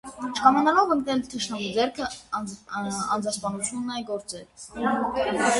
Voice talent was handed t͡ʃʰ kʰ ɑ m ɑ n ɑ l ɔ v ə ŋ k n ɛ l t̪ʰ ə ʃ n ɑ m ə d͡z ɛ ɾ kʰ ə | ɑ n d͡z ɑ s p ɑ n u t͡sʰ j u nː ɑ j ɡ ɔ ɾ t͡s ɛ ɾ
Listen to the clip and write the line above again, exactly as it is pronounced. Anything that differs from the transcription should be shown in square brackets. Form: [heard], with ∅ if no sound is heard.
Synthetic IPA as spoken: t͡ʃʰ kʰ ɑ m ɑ n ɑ l ɔ v ə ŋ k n ɛ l t̪ʰ ə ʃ n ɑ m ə d͡z ɛ ɾ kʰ ə | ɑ n d͡z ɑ s p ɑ n u t͡sʰ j u nː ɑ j ɡ ɔ ɾ t͡s ɛ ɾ